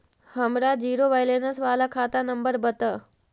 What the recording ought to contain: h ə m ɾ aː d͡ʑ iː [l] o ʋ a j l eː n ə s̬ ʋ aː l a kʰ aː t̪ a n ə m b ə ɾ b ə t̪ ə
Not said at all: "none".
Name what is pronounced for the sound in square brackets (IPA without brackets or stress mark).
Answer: ɾ